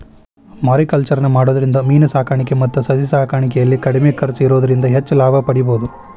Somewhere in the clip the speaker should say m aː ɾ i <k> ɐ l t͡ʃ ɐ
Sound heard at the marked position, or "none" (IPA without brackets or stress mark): k